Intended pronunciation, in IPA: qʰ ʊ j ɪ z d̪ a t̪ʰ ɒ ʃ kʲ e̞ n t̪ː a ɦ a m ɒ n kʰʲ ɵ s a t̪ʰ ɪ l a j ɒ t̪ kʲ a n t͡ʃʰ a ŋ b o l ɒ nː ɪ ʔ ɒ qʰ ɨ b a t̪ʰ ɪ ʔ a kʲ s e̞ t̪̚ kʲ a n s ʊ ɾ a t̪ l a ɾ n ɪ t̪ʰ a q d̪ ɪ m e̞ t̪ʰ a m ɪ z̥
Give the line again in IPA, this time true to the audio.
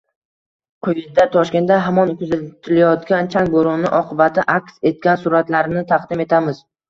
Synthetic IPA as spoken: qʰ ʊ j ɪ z d̪ a t̪ʰ ɒ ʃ kʲ e̞ n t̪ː a ɦ a m ɒ n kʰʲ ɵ z a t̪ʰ ɪ l a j ɒ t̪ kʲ a n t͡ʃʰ a ŋ b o ɾ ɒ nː ɪ ʔ ɒ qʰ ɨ b a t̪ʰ ɪ ʔ a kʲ s e̞ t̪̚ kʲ a n s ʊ ɾ a t̪ l a ɾ n ɪ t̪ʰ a q d̪ ɪ m e̞ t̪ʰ a m ɪ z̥